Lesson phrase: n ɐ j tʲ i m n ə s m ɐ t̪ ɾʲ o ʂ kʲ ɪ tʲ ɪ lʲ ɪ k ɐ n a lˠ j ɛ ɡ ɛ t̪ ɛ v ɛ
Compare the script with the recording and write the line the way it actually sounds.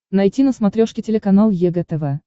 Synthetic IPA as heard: n ɐ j tʲ i n ə s m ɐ t̪ ɾʲ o ʂ kʲ ɪ tʲ ɪ lʲ ɪ k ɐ n a lˠ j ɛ ɡ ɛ t̪ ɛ v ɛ

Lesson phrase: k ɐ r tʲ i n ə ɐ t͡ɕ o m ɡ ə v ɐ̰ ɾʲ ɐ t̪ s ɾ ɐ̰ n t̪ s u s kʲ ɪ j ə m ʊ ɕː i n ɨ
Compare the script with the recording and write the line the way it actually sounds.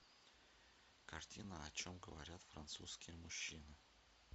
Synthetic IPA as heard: k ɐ r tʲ i n ə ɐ t͡ɕ o m ɡ ə v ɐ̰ ɾʲ a t̪ f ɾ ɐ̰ n t̪ s u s kʲ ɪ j ə m ʊ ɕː i n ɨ

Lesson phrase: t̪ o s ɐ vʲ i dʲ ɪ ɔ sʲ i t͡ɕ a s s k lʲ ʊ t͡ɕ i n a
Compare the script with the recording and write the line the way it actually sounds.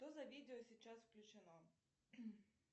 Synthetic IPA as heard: t̪ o z ɐ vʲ i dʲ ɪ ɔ sʲ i t͡ɕ a s f k lʲ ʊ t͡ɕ ɪ n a

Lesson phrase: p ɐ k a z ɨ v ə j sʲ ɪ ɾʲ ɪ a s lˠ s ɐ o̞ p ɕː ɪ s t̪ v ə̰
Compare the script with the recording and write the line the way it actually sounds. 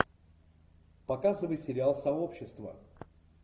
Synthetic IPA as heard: p ɐ k a z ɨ v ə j sʲ ɪ ɾʲ ɪ a lˠ s ɐ o̞ p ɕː ɪ s t̪ v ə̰

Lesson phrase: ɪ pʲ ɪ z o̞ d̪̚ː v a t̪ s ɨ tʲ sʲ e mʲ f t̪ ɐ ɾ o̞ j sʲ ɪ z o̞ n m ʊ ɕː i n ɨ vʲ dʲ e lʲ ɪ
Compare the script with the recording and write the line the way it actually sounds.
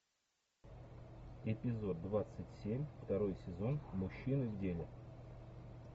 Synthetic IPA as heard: ɪ pʲ ɪ z o̞ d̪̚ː v a t̪ s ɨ tʲ sʲ e mʲ f t̪ ɐ ɾ o̞ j sʲ ɪ z o̞ n m ʊ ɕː i n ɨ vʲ dʲ e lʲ ɪ

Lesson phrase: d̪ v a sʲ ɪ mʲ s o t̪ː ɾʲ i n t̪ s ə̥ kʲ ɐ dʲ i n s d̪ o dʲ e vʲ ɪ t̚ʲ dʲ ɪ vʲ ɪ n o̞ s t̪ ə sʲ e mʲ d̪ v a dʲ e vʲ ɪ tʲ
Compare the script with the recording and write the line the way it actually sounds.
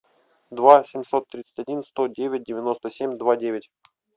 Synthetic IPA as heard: d̪ v a sʲ ɪ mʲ s o t̪ː ɾʲ i t̪ s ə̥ tʲ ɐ dʲ i n s t̪ o dʲ e vʲ ɪ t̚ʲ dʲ ɪ vʲ ɪ n o̞ s t̪ ə sʲ e mʲ d̪ v a dʲ e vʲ ɪ tʲ

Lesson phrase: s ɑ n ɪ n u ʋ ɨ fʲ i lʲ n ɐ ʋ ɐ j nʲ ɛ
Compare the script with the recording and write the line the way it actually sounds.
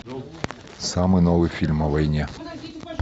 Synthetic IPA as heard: s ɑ m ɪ n ɔ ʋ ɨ fʲ i lʲ m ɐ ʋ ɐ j nʲ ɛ

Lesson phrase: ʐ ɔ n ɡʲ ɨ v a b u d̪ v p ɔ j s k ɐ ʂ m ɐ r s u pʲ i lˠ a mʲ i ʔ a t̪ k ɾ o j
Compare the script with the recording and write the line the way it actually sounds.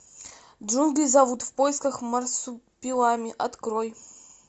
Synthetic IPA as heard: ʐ u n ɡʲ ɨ z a v u t̪ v p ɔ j s k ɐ x m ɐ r s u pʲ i lˠ a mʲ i ʔ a t̪ k ɾ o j

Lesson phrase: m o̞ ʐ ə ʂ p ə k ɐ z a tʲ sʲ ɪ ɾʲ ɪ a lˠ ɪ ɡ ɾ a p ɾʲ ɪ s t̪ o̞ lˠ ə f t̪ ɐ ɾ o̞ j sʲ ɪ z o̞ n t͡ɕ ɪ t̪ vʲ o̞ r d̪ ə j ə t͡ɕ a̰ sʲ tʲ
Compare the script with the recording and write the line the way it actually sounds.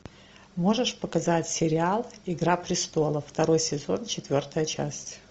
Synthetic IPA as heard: m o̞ ʐ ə ʂ p ə k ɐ z a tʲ sʲ ɪ ɾʲ ɪ a lˠ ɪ ɡ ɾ a p ɾʲ ɪ s t̪ o̞ lˠ ə f t̪ ɐ ɾ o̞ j sʲ ɪ z o̞ n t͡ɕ ɪ t̪ vʲ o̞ r t̪ ə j ə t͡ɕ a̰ sʲ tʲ

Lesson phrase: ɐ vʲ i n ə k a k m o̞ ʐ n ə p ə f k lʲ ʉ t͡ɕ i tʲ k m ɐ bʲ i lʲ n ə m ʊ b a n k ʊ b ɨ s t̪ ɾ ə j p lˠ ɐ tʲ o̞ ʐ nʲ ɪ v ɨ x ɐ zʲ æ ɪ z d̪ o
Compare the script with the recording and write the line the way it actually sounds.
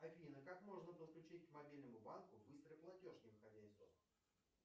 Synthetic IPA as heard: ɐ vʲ i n ə k a k m o̞ ʐ n ə p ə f k lʲ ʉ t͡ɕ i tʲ k m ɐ bʲ i lʲ n ə m ʊ b a n k ʊ b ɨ s t̪ ɾ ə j p lˠ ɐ tʲ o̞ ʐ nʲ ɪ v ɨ x ɐ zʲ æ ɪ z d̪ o

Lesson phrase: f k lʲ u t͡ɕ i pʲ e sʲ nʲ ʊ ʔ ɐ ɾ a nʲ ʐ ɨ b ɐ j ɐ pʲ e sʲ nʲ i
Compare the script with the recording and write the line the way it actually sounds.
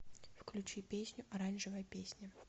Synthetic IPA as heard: f k lʲ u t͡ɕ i pʲ e sʲ nʲ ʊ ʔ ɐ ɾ a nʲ ʐ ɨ v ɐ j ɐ pʲ e sʲ nʲ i

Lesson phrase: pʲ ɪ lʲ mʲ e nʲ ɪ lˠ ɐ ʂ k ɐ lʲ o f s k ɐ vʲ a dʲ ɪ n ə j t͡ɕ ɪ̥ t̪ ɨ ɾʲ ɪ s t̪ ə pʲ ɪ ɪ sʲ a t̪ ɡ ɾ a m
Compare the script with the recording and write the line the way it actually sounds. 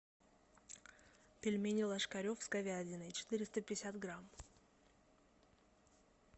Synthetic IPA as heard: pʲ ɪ lʲ mʲ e nʲ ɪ lˠ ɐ ʂ k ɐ ɾʲ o f s k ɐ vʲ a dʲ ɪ n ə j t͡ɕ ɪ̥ t̪ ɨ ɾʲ ɪ s t̪ ə pʲ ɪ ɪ sʲ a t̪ ɡ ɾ a m

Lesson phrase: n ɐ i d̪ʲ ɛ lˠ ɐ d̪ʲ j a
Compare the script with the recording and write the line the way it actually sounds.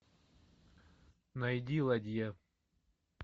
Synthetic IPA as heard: n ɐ j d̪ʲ i lˠ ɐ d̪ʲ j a

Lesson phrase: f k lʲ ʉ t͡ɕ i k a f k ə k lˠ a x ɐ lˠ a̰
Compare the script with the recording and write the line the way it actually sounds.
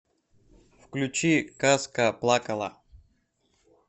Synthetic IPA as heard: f k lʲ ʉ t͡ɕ i k a s k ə p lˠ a k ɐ lˠ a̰

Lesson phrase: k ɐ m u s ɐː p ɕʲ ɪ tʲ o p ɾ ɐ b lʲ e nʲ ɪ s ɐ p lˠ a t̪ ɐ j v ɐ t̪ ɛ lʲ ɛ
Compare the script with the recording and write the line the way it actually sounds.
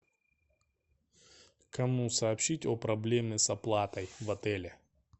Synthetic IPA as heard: k ɐ m u s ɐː p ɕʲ i tʲ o p ɾ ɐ b lʲ e mʲ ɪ s ɐ p lˠ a t̪ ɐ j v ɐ t̪ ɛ lʲ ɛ

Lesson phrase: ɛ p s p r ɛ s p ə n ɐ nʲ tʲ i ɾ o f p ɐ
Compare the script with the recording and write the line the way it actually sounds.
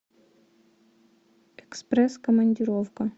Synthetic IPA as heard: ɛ k s p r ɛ s k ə m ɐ nʲ dʲ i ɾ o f k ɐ

